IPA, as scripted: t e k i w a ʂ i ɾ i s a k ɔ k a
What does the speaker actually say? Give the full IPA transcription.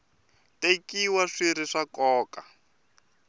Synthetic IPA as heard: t e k i w a ʂ i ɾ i ʂ a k ɔː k a